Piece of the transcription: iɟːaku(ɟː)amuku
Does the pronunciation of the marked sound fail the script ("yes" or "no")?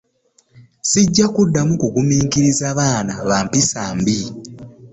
yes